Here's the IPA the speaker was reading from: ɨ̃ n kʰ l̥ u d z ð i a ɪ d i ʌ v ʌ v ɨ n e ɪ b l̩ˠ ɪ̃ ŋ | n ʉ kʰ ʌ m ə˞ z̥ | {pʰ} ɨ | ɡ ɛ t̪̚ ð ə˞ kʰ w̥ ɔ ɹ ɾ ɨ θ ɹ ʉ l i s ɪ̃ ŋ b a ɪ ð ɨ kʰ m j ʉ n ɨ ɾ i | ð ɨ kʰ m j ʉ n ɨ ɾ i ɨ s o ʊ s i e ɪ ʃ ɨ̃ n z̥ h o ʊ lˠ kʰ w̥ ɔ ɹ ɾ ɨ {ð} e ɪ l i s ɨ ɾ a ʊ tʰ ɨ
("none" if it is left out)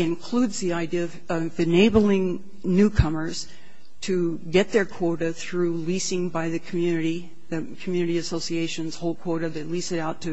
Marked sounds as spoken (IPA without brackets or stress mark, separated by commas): tʰ, ð